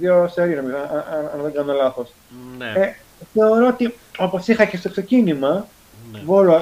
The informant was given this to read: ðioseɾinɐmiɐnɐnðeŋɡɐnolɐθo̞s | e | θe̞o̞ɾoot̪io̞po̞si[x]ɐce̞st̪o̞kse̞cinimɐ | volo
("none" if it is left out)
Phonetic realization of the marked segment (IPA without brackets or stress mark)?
x